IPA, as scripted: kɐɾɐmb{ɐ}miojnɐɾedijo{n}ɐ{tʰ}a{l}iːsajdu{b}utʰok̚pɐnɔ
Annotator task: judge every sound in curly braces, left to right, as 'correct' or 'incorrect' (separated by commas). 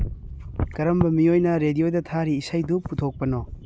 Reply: correct, incorrect, correct, incorrect, incorrect